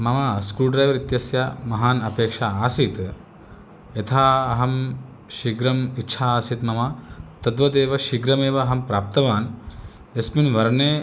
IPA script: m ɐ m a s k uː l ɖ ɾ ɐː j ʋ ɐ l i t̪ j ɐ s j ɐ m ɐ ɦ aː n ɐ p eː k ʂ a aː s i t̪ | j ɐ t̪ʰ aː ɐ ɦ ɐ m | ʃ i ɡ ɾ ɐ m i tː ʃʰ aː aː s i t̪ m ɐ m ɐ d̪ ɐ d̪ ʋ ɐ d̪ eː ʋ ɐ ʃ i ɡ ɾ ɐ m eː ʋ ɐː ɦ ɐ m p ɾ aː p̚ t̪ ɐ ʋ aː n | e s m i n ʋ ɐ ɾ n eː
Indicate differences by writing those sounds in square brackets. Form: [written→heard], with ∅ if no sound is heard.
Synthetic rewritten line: m ɐ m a s k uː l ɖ ɾ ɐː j ʋ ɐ [l→ɾ] i t̪ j ɐ s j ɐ m ɐ ɦ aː n ɐ p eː k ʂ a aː s i t̪ | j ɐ t̪ʰ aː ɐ ɦ ɐ m | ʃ i ɡ ɾ ɐ m i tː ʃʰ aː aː s i t̪ m ɐ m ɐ [d̪→t̪] ɐ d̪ ʋ ɐ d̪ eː ʋ ɐ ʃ i ɡ ɾ ɐ m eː ʋ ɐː ɦ ɐ m p ɾ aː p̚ t̪ ɐ ʋ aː n | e s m i n ʋ ɐ ɾ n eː